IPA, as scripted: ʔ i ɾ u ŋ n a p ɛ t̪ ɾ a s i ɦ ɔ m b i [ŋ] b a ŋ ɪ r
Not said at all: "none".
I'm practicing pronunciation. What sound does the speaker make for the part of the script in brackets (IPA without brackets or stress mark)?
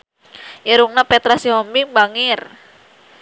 ŋ